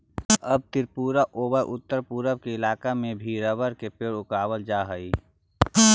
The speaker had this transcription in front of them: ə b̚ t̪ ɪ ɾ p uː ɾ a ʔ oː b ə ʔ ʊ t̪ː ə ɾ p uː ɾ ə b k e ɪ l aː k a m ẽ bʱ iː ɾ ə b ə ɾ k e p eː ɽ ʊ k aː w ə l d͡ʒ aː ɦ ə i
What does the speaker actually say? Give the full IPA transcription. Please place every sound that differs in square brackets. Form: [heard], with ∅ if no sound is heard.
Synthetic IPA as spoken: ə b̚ t̪ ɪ ɾ p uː ɾ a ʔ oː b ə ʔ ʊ t̪ː ə ɾ p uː ɾ ə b k e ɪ l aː k a m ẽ bʱ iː ɾ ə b ə ɾ k e p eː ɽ ʊ k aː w ə l d͡ʒ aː ɦ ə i